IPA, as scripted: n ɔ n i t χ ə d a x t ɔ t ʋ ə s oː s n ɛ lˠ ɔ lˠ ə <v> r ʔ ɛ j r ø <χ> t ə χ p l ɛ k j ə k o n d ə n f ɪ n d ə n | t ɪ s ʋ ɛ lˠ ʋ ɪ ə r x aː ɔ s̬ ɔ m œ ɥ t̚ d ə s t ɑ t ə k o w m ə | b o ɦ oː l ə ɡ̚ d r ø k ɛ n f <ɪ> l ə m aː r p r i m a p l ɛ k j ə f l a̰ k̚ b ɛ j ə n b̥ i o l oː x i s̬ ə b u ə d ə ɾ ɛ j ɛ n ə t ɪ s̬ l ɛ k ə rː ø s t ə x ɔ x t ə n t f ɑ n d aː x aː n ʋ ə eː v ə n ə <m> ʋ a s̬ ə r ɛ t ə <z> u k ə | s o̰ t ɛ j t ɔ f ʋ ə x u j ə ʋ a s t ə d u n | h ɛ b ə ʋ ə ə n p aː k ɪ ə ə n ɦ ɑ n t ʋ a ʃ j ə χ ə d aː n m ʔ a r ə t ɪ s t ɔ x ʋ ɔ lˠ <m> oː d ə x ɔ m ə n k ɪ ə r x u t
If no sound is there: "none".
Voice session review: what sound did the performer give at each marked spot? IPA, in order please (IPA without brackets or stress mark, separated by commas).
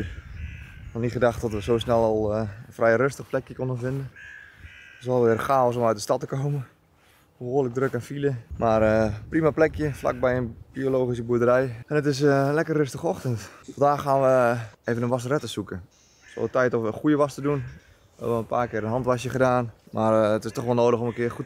f, s, i, n, s, n